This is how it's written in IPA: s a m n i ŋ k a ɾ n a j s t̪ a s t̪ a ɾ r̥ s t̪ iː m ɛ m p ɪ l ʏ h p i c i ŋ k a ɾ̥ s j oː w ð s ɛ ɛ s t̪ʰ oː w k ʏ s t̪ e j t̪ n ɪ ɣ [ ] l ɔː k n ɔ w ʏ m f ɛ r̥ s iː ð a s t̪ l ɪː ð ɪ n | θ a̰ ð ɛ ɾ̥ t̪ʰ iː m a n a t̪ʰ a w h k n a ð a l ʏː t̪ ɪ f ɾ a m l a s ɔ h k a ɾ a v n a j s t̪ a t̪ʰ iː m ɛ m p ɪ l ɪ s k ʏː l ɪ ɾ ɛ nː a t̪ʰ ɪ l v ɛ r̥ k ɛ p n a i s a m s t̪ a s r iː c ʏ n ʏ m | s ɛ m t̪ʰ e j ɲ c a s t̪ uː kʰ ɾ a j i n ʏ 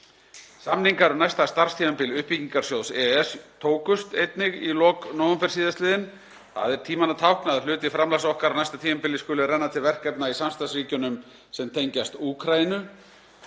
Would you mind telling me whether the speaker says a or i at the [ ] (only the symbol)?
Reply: i